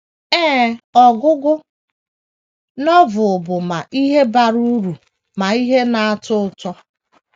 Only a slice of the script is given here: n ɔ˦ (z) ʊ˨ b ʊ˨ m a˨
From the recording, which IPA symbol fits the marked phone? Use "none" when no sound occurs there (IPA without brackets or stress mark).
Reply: v